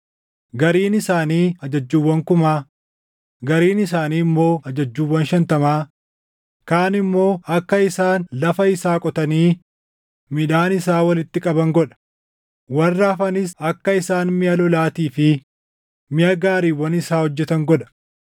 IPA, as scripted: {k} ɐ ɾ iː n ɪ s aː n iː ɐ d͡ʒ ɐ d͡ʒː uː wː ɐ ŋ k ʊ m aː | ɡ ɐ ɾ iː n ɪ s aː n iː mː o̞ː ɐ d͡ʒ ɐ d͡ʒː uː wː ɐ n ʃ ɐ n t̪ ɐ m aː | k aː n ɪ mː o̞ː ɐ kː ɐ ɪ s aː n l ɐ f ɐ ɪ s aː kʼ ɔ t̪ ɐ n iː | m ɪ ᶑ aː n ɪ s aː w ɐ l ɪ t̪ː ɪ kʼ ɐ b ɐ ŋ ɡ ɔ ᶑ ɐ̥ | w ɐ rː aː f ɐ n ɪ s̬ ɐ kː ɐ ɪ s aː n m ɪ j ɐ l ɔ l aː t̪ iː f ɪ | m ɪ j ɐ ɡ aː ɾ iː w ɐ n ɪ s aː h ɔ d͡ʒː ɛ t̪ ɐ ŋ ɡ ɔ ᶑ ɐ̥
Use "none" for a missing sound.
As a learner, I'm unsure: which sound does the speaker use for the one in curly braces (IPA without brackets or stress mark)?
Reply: ɡ